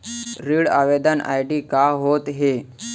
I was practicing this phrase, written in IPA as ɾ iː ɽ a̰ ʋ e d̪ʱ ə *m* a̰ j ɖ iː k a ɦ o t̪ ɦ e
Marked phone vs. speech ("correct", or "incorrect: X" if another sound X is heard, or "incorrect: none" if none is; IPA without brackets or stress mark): incorrect: n